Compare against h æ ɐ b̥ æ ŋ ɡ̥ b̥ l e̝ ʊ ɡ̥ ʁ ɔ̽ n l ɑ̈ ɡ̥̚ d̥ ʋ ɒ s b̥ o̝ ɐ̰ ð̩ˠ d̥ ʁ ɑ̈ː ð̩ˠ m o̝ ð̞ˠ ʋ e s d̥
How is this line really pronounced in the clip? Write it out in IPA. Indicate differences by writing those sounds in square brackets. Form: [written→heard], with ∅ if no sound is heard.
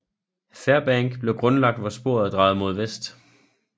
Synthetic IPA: [h→f] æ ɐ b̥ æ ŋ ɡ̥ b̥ l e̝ ʊ ɡ̥ ʁ ɔ̽ n l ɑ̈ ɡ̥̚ d̥ ʋ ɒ s b̥ o̝ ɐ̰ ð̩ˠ d̥ ʁ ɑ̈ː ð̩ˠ m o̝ ð̞ˠ ʋ e s d̥